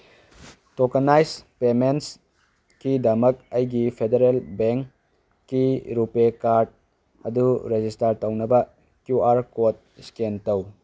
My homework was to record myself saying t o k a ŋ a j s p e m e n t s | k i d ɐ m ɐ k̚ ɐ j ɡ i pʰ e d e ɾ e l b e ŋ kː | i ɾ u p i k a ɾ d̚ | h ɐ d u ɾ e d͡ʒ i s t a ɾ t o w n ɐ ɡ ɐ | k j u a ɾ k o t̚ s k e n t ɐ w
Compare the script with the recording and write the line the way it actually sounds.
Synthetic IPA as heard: t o k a n a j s p e m e n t s | k i d ɐ m ɐ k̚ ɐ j ɡ i pʰ e d e ɾ e l b e ŋ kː | i ɾ u p e k a ɾ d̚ | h ɐ d u ɾ e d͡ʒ i s t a ɾ t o w n ɐ b ɐ | k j u a ɾ k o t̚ s k e n t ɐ w